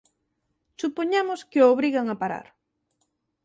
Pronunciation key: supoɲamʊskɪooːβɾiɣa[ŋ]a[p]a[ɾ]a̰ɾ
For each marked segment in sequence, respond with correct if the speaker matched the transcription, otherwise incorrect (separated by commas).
correct, correct, correct